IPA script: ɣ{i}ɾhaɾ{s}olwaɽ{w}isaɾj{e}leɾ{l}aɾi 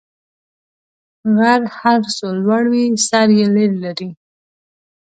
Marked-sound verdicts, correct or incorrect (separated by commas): incorrect, correct, correct, correct, correct